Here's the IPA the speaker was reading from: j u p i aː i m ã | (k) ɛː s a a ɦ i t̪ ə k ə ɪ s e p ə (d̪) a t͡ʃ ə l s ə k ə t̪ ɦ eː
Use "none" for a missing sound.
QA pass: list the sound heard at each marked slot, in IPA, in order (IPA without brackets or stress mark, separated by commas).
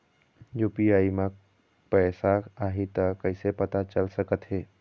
p, t̪